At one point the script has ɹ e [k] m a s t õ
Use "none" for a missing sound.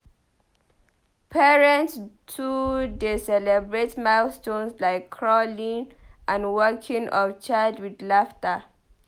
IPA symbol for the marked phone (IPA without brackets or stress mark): t